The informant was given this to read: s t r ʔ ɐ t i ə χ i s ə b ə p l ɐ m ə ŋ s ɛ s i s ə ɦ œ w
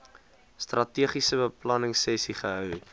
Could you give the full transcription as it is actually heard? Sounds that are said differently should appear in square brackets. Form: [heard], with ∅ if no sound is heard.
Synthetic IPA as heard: s t r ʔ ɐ t i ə χ i s ə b ə p l ɐ [n] ə ŋ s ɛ s i [χ] ə ɦ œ w